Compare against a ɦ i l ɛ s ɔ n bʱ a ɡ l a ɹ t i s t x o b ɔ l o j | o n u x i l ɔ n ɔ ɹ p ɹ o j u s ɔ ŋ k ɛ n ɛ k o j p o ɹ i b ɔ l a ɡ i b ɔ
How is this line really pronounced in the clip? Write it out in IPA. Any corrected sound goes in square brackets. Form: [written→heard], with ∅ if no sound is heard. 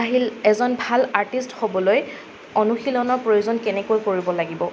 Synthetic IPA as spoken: a ɦ i l ɛ [s→z] ɔ n bʱ a [ɡ→∅] l a ɹ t i s t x o b ɔ l o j | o n u x i l ɔ n ɔ ɹ p ɹ o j u [s→z] ɔ [ŋ→n] k ɛ n ɛ k o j [p→k] o ɹ i b ɔ l a ɡ i b ɔ